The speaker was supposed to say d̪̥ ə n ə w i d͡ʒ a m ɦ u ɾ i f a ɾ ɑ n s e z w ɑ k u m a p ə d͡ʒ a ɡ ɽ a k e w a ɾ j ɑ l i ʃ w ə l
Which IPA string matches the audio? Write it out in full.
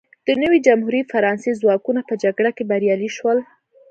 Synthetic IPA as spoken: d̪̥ ə n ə w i d͡ʒ a m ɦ u ɾ i f a ɾ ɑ n s e z w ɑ k u n a p ə d͡ʒ a ɡ ɽ a k e b a ɾ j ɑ l i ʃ w ə l